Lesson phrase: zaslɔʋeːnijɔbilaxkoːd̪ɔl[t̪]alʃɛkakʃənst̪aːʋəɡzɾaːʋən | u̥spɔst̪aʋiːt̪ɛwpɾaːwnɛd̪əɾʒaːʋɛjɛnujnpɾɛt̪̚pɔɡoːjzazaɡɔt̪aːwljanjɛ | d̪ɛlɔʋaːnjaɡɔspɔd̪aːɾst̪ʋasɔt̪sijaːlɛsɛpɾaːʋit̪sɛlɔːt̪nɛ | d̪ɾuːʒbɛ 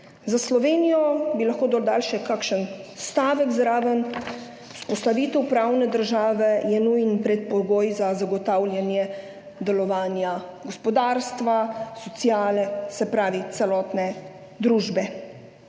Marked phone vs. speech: incorrect: d̪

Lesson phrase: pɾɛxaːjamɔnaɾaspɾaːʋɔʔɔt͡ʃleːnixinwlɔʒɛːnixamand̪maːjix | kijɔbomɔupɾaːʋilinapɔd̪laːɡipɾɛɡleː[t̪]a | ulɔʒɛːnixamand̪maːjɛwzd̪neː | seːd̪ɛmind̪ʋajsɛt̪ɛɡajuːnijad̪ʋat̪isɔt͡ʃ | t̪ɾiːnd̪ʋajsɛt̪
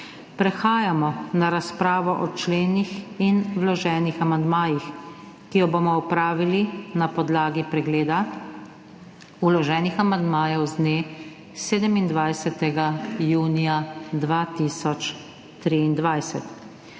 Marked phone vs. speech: incorrect: d̪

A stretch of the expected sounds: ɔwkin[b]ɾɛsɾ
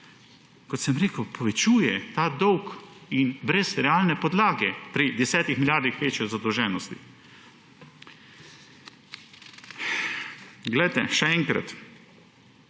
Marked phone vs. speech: correct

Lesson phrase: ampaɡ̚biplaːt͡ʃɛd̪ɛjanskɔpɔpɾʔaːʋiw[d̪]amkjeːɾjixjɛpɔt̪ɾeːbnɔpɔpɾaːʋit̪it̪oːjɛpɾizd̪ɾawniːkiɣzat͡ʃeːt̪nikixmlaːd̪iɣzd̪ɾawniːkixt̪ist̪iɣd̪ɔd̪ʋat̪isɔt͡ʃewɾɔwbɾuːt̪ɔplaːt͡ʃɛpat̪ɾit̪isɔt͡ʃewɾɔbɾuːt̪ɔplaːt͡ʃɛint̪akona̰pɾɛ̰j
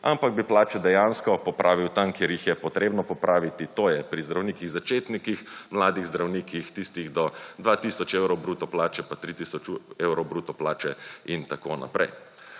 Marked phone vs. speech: incorrect: t̪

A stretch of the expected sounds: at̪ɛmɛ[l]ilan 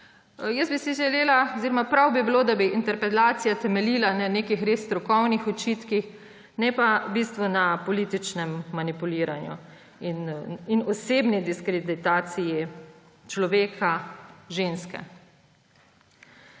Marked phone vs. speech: correct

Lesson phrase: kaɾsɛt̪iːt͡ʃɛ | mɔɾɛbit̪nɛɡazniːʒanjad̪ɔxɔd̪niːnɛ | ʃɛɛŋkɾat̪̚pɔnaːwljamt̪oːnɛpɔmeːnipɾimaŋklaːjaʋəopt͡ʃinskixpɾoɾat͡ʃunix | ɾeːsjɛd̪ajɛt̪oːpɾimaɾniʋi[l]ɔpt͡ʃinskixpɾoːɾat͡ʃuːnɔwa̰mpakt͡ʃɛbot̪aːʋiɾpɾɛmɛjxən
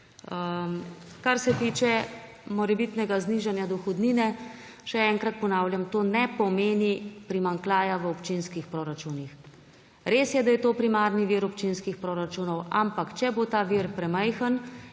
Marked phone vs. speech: incorrect: ɾ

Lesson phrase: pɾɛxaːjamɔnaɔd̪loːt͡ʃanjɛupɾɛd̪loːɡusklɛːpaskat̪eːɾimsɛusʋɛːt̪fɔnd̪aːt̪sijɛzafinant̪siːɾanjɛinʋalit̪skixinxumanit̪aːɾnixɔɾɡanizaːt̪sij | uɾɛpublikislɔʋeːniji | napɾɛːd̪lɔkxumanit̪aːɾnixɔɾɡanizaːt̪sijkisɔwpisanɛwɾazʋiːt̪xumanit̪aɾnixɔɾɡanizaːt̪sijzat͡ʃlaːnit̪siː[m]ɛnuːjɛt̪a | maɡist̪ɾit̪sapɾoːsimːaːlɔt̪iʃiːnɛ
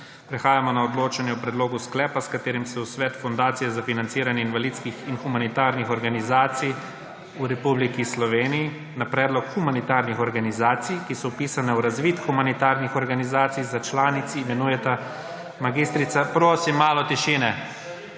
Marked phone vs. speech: correct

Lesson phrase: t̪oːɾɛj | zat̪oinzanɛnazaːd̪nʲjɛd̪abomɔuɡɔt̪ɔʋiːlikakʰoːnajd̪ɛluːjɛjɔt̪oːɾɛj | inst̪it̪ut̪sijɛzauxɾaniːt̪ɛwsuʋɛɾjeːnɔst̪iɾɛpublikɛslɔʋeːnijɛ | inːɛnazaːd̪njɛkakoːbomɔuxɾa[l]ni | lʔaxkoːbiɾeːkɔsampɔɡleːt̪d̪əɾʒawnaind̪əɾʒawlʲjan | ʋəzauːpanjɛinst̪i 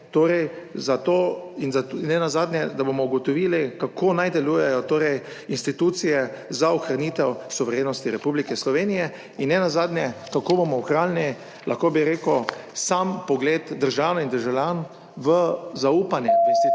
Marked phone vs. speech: correct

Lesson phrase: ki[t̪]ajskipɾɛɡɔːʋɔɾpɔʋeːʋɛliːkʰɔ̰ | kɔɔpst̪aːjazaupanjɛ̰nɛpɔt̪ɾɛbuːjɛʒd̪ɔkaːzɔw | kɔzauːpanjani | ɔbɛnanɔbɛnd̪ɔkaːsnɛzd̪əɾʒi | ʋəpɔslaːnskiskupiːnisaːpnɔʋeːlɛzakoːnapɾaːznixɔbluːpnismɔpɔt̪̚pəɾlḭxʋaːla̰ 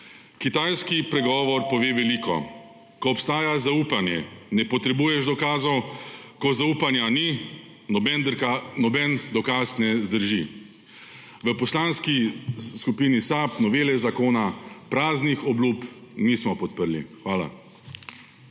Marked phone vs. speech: correct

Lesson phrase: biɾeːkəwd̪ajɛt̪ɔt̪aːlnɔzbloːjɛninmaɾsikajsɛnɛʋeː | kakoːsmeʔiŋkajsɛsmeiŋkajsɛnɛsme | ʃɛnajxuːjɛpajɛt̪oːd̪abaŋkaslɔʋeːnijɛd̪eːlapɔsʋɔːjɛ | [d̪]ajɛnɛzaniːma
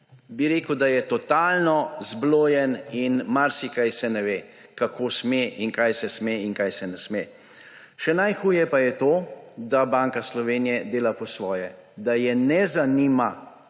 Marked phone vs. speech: correct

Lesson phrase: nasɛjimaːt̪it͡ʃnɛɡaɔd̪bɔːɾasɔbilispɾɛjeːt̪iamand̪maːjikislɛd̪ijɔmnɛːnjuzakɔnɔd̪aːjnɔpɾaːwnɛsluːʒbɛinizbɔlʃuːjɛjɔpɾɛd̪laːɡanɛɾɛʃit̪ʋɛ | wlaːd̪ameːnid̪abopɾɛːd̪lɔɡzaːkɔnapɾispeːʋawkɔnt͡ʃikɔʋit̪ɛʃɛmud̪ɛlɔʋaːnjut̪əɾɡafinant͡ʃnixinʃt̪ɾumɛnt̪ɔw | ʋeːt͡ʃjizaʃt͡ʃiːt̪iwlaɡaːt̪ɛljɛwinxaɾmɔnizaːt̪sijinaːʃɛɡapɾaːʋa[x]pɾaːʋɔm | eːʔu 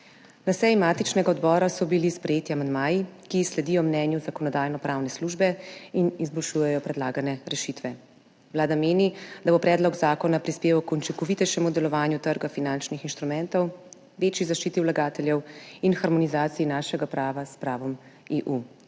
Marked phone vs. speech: incorrect: s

